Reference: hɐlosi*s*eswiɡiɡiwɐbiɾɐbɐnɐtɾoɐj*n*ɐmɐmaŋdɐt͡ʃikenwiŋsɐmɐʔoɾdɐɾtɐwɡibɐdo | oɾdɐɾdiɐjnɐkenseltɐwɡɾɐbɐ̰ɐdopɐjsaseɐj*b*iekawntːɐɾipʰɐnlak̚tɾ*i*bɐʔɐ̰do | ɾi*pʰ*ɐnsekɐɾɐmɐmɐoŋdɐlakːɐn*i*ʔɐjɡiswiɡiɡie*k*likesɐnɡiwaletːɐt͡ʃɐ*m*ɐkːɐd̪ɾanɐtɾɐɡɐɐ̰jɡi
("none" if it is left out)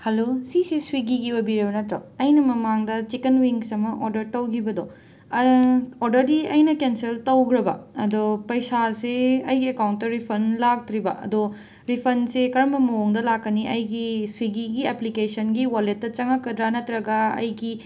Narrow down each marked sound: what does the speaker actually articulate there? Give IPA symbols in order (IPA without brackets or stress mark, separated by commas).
s, n, ɡ, i, pʰ, i, p, ŋ